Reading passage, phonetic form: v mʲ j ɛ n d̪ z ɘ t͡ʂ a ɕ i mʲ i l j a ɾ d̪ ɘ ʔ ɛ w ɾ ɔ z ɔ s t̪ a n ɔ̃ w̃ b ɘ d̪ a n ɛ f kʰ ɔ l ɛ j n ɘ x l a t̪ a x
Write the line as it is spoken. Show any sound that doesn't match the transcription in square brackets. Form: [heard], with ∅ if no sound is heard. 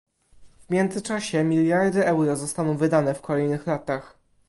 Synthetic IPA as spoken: v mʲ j ɛ n d̪ z ɘ t͡ʂ a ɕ [ɛ] mʲ i l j a ɾ d̪ ɘ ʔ ɛ w ɾ ɔ z ɔ s t̪ a n ɔ̃ w̃ [v] ɘ d̪ a n ɛ f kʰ ɔ l ɛ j n ɘ x l a t̪ a x